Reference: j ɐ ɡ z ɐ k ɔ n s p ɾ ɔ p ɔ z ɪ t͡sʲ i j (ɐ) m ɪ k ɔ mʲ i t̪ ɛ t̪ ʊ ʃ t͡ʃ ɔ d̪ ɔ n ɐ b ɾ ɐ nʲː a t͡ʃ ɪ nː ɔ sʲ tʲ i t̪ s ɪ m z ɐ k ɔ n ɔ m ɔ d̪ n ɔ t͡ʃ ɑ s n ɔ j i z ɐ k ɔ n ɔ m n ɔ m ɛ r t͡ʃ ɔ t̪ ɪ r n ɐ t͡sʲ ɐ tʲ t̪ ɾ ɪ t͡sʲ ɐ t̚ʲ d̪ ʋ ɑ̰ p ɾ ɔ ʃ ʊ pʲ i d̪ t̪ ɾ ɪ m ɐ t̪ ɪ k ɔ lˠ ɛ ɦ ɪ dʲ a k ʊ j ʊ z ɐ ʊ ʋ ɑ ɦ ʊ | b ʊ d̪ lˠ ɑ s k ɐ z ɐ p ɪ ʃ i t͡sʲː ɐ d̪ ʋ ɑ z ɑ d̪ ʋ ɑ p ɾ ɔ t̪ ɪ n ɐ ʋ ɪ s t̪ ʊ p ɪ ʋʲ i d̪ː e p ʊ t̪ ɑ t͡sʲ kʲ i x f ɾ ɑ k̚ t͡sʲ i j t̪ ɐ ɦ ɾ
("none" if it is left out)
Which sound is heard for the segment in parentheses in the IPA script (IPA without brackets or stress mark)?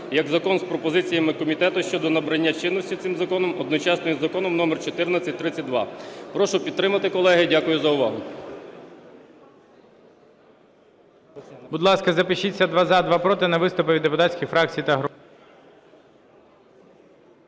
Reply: ɐ